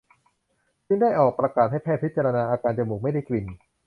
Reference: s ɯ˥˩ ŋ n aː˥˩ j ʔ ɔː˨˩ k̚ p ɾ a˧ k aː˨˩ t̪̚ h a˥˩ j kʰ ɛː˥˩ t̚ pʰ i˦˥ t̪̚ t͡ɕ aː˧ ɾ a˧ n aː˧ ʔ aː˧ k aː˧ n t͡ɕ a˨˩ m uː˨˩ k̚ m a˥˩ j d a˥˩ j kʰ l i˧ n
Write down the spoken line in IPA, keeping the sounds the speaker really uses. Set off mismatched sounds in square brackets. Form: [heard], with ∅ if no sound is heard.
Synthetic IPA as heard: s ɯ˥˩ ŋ [d] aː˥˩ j ʔ ɔː˨˩ k̚ p ɾ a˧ k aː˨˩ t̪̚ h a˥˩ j [pʰ] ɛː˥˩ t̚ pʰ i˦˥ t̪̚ t͡ɕ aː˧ ɾ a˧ n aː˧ ʔ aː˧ k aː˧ n t͡ɕ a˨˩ m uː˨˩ k̚ m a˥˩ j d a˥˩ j [k] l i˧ n